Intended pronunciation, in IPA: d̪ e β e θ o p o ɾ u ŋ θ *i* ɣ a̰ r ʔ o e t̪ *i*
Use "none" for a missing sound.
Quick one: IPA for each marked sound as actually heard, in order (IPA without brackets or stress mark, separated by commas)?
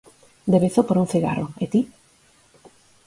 i, i